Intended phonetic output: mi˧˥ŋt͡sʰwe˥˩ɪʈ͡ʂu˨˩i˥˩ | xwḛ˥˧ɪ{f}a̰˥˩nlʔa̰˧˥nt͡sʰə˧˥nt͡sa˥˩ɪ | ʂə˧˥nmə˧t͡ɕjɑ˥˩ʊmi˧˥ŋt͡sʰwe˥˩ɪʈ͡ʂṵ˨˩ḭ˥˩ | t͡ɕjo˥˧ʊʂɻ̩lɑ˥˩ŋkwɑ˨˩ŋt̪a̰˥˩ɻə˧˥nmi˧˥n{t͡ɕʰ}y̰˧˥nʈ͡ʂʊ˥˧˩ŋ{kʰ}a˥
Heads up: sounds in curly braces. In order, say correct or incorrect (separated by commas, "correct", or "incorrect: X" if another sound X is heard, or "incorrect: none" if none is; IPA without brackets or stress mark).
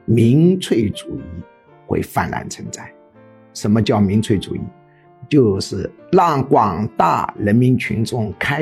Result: correct, correct, correct